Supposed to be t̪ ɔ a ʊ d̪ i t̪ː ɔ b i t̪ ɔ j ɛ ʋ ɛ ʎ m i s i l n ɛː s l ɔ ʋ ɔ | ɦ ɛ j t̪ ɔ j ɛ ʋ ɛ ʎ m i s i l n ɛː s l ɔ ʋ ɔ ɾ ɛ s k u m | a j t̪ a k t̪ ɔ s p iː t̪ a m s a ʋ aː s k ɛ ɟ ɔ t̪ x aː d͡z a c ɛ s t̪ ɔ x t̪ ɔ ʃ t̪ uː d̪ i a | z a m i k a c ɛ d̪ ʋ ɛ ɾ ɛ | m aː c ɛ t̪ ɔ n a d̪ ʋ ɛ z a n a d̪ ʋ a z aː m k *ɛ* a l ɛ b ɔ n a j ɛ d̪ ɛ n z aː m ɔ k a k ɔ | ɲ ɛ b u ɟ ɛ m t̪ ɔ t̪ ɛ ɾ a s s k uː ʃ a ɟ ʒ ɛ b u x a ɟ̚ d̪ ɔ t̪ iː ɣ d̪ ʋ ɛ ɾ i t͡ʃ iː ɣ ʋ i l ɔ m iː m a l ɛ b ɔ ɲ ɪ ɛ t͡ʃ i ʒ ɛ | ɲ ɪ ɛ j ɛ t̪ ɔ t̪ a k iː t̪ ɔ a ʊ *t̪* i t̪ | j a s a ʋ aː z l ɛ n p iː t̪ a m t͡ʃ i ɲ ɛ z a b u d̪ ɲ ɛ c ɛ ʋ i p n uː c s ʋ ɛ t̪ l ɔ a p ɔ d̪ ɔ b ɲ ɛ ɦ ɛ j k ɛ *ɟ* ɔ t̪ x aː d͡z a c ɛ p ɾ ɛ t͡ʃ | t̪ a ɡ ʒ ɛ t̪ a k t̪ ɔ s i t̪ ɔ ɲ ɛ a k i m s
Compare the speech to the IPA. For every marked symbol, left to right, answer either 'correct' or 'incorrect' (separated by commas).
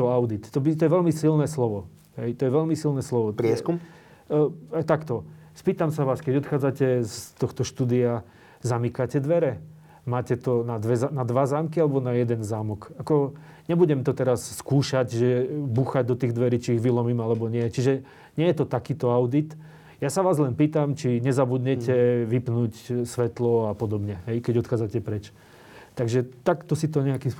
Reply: incorrect, incorrect, correct